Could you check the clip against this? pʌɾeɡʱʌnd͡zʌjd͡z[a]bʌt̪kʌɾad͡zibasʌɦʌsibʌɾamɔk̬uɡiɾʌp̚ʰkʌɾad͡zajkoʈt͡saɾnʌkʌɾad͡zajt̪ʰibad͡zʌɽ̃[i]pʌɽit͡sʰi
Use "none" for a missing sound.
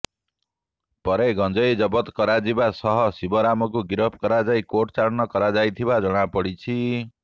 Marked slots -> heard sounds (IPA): ʌ, a

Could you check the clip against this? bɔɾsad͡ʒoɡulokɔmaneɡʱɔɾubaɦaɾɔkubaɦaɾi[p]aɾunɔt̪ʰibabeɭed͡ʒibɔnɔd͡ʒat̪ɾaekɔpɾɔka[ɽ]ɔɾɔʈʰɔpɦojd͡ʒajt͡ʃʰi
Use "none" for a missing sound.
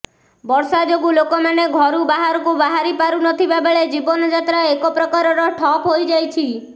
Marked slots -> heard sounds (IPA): p, ɾ

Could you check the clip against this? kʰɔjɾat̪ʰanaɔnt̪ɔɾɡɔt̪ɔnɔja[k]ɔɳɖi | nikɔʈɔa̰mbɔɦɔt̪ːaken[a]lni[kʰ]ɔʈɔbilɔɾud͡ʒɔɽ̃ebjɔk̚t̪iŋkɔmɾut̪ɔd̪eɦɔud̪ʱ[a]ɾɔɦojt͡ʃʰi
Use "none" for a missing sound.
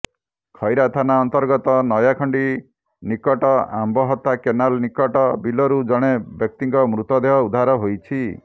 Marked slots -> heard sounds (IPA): kʰ, a, k, a

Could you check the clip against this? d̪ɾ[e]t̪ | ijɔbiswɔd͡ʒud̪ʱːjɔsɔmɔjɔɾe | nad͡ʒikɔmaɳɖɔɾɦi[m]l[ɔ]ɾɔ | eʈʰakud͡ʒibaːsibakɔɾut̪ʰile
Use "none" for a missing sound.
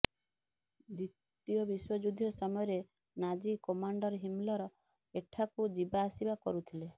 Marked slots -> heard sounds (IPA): i, m, ɔ

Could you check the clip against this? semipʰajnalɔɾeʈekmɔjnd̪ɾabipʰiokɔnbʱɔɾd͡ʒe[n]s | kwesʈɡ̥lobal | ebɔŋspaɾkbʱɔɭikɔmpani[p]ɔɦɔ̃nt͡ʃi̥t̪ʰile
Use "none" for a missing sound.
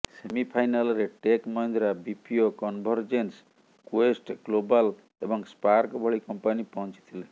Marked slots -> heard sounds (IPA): n, p

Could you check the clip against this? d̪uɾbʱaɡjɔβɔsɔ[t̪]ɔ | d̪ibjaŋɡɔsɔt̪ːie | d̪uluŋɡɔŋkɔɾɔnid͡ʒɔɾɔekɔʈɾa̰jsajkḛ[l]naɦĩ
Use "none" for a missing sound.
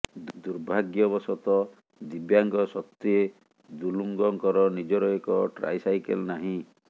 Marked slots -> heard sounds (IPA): t̪, l

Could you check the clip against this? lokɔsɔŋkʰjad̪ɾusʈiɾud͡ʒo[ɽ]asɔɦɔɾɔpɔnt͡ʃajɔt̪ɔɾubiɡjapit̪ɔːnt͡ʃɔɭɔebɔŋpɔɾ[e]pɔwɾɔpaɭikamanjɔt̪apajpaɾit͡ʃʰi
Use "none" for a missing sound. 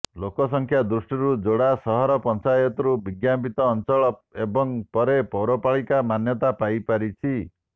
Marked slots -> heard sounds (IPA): ɽ, e

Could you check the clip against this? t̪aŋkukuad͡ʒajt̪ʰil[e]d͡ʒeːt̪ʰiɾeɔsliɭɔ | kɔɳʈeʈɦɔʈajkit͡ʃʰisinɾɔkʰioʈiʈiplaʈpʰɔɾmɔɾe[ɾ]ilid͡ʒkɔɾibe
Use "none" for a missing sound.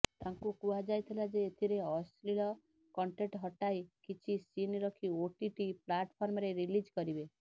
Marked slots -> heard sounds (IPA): a, ɾ

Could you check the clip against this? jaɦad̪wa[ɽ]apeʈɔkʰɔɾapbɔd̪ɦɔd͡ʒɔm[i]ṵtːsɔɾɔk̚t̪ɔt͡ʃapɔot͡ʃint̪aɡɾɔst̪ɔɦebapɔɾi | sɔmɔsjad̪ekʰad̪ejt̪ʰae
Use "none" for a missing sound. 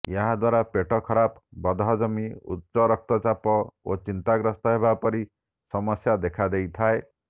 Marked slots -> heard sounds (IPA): ɾ, i

